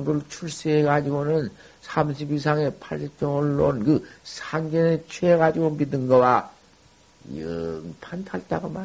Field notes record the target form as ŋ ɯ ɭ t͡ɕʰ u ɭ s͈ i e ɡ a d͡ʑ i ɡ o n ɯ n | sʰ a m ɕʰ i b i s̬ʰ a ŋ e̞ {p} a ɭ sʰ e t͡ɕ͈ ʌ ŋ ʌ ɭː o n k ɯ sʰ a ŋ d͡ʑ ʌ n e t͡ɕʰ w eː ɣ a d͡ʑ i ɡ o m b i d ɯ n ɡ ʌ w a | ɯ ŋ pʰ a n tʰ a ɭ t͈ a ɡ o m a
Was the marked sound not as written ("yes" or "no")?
yes